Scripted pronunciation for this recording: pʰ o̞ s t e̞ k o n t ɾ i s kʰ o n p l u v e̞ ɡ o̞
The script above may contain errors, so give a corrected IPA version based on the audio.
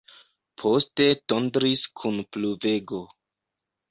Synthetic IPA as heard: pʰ o̞ s t e̞ t o n d ɾ i s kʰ u n p l u v e̞ ɡ o̞